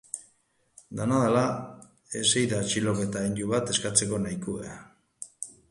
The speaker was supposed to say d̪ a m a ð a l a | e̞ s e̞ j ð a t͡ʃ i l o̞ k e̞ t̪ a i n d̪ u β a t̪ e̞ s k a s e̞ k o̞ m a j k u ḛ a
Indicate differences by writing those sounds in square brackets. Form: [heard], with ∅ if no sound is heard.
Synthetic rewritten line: d̪ a [n] a ð a l a | e̞ s e̞ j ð a t͡ʃ i l o̞ k e̞ t̪ a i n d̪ u β a t̪ e̞ s k a [t͡s] e̞ k o̞ [n] a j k u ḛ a